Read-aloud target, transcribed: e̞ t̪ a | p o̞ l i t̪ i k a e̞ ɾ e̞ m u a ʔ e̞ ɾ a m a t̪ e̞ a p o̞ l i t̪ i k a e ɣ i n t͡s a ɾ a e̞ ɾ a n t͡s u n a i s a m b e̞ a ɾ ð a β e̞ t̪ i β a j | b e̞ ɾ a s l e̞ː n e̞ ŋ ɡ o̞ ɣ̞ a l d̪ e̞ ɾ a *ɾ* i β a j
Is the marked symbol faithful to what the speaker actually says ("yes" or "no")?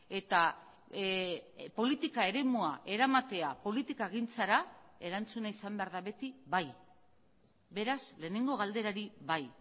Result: yes